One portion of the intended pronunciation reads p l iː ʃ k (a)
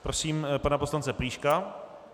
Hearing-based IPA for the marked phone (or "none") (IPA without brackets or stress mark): a